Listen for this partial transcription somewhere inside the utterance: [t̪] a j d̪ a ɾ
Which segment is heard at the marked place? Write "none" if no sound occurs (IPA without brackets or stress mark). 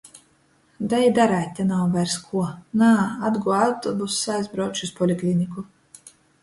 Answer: d̪